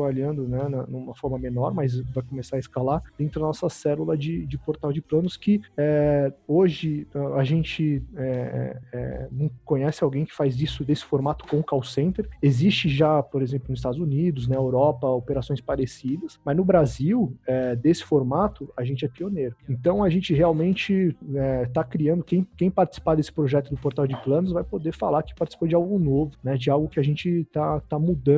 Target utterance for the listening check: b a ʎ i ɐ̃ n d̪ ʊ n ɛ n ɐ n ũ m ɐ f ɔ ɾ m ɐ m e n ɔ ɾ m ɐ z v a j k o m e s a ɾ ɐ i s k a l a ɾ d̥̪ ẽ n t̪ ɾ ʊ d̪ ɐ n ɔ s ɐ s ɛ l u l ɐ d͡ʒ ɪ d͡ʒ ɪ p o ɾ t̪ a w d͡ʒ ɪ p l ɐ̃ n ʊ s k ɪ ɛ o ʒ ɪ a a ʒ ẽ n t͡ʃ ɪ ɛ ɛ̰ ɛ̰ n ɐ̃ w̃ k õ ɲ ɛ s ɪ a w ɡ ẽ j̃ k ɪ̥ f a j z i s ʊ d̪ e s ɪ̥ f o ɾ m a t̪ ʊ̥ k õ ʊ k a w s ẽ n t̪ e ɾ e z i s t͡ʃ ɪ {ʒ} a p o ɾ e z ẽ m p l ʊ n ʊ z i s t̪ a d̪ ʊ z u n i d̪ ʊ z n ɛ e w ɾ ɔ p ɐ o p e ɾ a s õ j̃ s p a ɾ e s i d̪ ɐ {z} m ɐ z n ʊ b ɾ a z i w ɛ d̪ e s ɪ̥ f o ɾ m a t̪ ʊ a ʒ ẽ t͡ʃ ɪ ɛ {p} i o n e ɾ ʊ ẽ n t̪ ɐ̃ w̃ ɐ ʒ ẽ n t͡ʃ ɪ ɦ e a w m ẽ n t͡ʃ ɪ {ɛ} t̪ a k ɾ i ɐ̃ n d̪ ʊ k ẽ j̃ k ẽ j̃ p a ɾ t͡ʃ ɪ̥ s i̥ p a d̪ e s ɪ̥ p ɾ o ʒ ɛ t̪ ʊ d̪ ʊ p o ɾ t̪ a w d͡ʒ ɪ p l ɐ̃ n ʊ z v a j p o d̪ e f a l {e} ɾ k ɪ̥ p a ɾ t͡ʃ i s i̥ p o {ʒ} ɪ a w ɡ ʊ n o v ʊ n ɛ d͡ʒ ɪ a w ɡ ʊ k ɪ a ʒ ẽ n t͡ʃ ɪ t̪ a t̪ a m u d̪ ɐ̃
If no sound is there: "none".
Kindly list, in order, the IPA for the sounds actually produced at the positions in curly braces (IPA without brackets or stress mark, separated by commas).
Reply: ʒ, s, p, ɛ, a, d͡ʒ